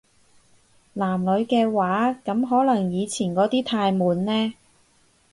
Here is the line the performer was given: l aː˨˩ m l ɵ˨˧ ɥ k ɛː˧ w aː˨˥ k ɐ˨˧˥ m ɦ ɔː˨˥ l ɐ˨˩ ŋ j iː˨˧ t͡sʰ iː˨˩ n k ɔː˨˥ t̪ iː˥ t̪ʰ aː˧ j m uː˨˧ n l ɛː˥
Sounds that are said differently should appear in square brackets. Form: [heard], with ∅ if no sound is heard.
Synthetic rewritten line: l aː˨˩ m l ɵ˨˧ ɥ k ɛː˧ w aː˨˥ k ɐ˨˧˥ m ɦ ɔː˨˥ l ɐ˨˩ ŋ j iː˨˧ t͡sʰ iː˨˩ n k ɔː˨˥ t̪ iː˥ t̪ʰ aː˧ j m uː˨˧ n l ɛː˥